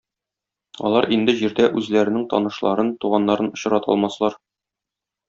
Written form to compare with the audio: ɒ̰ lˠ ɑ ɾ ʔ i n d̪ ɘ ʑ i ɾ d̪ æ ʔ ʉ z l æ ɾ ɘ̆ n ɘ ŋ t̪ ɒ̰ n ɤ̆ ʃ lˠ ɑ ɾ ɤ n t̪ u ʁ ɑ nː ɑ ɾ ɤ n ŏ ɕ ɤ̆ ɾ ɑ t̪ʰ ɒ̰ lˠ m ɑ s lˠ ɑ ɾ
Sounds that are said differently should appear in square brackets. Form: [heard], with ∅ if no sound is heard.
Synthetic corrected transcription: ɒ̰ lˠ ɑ ɾ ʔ i n d̪ ɘ ʑ i ɾ d̪ æ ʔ ʉ z l æ ɾ ɘ̆ n ɘ ŋ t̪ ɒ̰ n ɤ̆ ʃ lˠ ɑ ɾ ɤ n t̪ u ʁ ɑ nː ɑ ɾ ɤ n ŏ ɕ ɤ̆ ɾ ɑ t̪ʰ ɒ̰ lˠ m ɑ s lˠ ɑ ɾ